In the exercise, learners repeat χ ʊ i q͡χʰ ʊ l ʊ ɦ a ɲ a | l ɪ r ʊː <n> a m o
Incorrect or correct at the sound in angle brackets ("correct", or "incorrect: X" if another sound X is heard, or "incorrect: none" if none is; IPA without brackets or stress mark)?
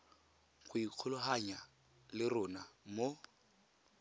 correct